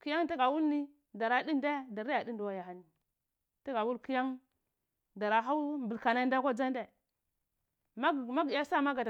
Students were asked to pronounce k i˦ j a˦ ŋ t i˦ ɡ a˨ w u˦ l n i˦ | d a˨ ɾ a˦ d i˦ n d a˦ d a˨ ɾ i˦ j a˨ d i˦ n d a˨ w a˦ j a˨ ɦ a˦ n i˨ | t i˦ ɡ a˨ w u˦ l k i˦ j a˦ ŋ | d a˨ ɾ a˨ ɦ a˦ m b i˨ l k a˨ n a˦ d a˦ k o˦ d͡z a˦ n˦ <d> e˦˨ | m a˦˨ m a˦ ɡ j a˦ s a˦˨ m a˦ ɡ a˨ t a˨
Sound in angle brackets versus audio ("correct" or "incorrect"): correct